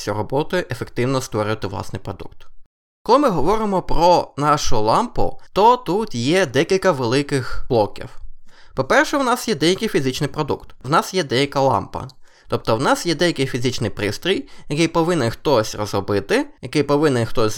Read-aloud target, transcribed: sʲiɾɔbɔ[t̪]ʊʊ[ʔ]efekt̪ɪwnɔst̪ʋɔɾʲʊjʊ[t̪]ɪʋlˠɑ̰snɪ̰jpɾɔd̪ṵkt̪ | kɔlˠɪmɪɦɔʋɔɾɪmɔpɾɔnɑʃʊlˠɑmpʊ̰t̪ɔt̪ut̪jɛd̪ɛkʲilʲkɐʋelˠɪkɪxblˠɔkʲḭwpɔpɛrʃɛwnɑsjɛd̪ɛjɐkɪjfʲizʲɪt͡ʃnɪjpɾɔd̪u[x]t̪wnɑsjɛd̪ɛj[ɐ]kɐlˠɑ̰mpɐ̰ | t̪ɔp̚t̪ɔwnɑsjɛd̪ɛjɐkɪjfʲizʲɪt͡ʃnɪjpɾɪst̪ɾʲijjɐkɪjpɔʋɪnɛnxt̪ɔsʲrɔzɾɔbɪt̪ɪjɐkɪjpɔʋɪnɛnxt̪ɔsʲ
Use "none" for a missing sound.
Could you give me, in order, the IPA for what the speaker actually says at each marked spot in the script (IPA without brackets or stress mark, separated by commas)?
t̪, ʔ, t̪, k, ɐ